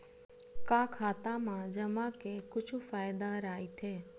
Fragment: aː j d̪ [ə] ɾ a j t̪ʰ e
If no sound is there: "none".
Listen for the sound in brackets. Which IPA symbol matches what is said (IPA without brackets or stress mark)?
a